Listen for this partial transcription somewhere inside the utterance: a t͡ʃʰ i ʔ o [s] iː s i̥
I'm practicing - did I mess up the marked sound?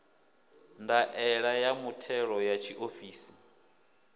yes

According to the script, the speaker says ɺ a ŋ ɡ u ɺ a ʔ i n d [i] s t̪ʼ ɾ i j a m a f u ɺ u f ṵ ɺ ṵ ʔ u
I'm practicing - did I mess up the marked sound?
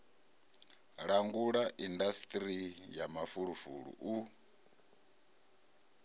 yes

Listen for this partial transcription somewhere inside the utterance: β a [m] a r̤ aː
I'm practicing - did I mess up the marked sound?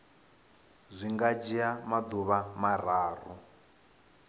no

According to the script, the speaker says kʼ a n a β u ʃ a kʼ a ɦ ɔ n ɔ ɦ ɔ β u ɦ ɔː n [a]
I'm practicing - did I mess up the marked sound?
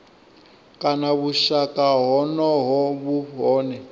yes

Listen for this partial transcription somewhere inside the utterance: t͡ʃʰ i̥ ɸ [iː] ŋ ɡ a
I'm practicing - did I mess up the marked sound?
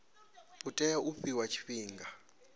no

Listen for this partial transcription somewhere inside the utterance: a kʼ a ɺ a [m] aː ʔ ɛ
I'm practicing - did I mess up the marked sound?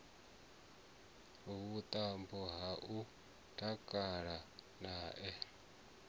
yes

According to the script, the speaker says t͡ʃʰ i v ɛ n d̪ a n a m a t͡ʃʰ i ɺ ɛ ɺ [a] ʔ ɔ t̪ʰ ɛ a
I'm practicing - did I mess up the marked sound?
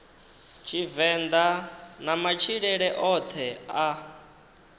yes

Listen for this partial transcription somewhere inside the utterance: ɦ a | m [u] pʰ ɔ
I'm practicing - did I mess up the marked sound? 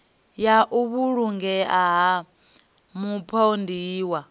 no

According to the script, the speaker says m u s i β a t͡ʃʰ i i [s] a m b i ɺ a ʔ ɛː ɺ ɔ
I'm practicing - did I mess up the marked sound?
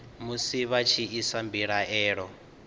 no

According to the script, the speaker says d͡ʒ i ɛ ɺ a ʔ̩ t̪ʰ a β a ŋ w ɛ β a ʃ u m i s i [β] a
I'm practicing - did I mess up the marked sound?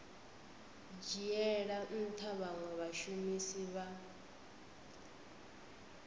no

